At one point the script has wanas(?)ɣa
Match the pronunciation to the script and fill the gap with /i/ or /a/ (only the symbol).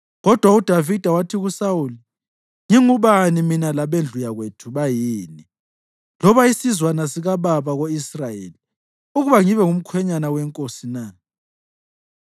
i